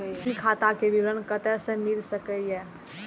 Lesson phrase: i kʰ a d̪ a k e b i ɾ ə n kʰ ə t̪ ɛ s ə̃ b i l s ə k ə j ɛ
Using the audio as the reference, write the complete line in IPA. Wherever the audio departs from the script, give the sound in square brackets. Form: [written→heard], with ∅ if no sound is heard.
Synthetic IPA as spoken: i kʰ a [d̪→t̪] a k e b i ɾ ə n [kʰ→k] ə t̪ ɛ s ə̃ [b→m] i l s ə k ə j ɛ